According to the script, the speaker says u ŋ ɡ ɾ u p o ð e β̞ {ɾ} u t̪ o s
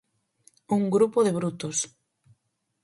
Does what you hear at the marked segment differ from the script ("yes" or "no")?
no